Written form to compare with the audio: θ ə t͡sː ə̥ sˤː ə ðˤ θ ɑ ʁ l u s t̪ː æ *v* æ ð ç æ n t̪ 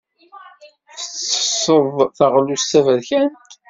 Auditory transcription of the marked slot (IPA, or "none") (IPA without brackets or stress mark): v